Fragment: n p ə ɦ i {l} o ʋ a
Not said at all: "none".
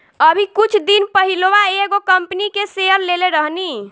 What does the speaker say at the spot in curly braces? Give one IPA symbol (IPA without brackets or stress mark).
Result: l